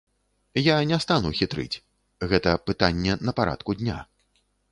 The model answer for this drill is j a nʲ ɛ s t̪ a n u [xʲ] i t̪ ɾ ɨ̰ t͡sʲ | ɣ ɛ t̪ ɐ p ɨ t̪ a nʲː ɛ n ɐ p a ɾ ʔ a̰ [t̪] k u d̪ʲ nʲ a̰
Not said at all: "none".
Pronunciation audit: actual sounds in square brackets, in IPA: xʲ, t̪

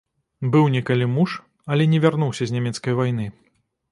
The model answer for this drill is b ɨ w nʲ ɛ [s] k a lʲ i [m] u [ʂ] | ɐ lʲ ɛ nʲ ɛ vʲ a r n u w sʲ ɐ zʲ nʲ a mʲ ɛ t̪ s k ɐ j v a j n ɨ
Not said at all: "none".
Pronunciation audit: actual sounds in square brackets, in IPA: none, m, ʂ

